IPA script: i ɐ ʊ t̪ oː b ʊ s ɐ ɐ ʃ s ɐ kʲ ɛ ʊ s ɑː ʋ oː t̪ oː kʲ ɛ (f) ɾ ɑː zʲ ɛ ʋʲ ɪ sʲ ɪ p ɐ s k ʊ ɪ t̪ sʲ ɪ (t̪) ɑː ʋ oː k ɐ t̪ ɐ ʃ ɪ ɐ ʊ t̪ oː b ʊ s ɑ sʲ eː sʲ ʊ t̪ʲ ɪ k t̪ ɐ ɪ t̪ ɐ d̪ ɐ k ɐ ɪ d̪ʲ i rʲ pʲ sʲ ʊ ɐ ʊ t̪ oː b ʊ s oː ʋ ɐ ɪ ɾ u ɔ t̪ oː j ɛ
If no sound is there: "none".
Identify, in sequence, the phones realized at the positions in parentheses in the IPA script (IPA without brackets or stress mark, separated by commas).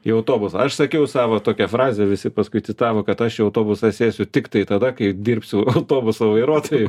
f, t̪